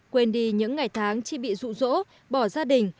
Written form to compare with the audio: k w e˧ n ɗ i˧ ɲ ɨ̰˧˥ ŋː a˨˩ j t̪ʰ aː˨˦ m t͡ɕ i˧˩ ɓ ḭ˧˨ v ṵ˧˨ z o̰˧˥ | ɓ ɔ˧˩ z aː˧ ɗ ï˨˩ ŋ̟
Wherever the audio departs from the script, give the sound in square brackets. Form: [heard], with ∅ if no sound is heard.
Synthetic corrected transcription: k w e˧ n ɗ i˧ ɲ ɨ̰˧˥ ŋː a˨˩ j t̪ʰ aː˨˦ [ŋ] t͡ɕ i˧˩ ɓ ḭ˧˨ [z] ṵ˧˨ z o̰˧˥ | ɓ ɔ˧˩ z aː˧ ɗ ï˨˩ ŋ̟